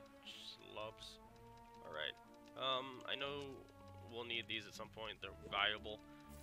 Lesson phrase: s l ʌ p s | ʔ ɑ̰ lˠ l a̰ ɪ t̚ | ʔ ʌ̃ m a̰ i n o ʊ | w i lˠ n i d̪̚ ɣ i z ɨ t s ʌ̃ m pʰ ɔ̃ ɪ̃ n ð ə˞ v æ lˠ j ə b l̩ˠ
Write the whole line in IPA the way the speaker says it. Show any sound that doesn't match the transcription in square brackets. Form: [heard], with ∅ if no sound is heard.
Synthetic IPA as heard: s l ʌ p s | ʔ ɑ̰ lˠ [ɹ] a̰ ɪ t̚ | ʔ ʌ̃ m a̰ [ɪ] n o ʊ | w i lˠ n i d̪̚ [ð] i z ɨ t s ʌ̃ m pʰ ɔ̃ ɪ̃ n ð ə˞ v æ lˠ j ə b l̩ˠ